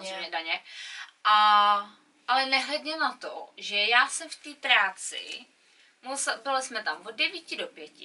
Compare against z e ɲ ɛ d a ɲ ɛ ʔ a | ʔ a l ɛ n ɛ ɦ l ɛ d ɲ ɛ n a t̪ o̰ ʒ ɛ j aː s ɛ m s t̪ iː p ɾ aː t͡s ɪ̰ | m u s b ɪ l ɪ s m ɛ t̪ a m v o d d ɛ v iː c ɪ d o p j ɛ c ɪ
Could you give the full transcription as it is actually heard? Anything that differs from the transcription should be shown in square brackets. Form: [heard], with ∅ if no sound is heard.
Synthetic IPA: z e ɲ ɛ d a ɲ ɛ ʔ a | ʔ a l ɛ n ɛ ɦ l ɛ d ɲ ɛ n a t̪ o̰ ʒ ɛ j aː s ɛ m [f] t̪ iː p ɾ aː t͡s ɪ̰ | m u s b ɪ l ɪ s m ɛ t̪ a m v o d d ɛ v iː c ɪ d o p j ɛ c ɪ